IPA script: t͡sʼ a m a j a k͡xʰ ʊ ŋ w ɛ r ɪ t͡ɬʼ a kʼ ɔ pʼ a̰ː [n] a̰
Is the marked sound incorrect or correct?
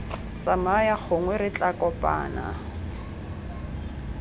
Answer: correct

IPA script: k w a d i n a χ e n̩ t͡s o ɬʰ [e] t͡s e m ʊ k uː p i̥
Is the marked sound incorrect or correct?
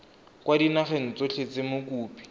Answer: correct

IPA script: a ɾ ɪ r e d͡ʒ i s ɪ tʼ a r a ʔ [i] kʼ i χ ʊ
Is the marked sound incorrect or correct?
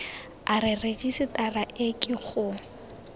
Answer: incorrect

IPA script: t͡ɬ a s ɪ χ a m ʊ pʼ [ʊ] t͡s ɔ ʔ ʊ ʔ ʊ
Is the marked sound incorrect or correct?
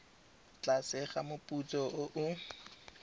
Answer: incorrect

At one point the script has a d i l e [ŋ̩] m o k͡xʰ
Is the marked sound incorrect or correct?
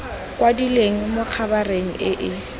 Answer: correct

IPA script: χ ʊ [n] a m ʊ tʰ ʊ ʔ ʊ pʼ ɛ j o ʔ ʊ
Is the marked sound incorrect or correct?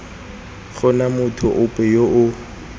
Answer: correct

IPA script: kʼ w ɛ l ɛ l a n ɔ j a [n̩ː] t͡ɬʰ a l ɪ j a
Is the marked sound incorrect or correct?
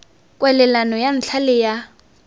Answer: incorrect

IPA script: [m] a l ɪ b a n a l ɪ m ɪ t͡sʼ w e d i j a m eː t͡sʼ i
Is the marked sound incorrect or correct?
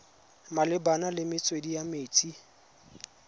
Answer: correct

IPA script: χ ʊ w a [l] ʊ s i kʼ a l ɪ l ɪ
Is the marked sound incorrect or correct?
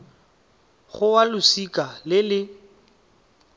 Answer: correct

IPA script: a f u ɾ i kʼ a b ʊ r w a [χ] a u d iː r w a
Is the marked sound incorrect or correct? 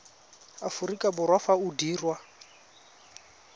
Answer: incorrect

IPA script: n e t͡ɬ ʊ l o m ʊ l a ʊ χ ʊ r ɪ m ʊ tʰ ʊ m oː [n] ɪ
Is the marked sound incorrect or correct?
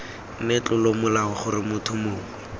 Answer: incorrect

